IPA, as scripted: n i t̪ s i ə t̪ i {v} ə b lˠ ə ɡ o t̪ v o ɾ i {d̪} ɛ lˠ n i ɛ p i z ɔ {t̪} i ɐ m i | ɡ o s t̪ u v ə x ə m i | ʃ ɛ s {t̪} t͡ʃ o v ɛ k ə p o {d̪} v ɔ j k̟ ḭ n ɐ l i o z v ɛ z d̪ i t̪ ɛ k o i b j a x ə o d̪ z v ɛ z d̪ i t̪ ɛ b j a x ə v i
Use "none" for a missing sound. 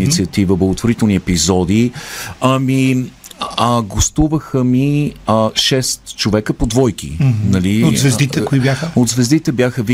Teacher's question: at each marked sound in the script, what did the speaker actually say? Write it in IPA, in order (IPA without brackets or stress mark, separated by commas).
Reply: v, t̪, d̪, t̪, d̪